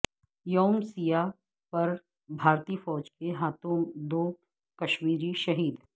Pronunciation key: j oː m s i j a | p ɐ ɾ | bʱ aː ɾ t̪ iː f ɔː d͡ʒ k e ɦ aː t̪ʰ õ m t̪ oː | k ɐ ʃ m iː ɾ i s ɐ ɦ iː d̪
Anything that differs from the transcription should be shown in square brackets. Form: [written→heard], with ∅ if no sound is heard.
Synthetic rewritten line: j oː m s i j a | p ɐ ɾ | bʱ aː ɾ t̪ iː f ɔː d͡ʒ k e ɦ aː [t̪ʰ→t̪] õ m [t̪→d̪] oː | k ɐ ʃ m iː ɾ i [s→ʃ] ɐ ɦ iː d̪